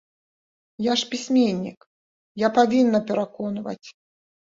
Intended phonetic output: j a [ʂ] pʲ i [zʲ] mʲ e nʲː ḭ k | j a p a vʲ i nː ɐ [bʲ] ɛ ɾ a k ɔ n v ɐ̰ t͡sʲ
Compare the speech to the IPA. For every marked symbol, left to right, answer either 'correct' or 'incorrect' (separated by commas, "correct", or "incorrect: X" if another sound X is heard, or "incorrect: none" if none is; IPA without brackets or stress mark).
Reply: correct, incorrect: sʲ, incorrect: pʲ